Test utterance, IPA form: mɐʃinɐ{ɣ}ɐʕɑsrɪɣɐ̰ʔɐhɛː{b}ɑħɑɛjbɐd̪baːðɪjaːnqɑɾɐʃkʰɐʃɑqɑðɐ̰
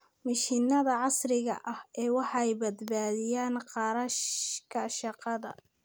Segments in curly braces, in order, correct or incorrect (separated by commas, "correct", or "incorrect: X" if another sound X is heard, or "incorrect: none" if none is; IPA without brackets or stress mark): incorrect: ð, incorrect: w